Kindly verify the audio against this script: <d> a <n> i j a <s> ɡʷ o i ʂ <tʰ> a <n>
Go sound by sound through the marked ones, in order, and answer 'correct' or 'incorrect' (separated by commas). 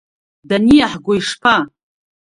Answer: correct, correct, incorrect, incorrect, incorrect